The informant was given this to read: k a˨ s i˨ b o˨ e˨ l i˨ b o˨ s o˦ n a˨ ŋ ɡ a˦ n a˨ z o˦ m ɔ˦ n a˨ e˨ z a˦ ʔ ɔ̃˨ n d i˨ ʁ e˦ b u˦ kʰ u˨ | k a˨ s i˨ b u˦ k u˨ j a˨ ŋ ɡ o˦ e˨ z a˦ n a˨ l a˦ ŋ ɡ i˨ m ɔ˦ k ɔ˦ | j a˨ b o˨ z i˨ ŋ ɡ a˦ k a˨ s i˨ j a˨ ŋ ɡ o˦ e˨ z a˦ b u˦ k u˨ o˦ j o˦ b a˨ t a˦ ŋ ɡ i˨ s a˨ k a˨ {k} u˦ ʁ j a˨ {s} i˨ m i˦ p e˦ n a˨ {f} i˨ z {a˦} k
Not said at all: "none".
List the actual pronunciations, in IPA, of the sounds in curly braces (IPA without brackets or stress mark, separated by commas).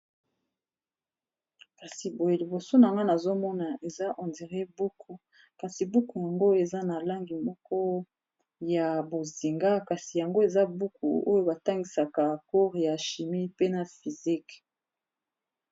k, ʃ, f, i˦